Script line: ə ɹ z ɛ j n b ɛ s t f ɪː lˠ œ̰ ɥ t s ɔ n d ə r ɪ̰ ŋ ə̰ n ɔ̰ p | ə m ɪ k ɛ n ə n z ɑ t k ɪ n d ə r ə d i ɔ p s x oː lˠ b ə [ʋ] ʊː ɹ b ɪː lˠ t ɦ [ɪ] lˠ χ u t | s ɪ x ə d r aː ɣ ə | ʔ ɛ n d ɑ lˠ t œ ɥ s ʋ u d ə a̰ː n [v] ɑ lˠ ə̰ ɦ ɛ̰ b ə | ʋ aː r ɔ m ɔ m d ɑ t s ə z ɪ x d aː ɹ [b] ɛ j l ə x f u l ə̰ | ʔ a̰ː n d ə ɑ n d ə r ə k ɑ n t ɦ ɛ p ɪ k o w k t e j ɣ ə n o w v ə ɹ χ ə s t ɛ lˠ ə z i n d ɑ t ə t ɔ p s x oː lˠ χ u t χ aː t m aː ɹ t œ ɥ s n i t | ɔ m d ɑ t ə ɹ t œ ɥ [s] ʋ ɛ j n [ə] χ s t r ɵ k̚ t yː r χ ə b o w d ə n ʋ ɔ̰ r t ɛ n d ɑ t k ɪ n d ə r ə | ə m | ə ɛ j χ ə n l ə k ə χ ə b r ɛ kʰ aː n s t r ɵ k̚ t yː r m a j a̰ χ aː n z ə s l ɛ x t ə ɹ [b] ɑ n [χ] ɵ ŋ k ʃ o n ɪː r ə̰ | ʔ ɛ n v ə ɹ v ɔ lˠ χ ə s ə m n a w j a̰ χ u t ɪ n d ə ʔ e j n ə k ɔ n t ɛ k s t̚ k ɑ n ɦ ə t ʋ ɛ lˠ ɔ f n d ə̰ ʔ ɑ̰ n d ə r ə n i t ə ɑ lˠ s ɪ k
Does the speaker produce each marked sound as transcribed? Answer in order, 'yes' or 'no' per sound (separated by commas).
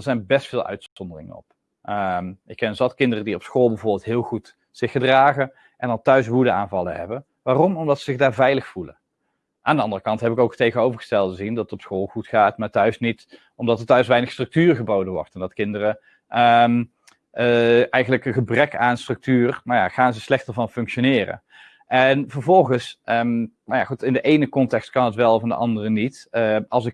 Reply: no, no, yes, no, yes, yes, no, no